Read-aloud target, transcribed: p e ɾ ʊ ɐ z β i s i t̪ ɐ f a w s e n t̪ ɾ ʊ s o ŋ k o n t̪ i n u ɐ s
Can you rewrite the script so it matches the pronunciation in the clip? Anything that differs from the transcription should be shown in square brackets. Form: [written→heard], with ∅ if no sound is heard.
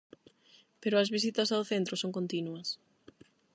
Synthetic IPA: p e ɾ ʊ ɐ z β i s i t̪ ɐ [f→s] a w [s→θ] e n t̪ ɾ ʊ s o ŋ k o n t̪ i n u ɐ s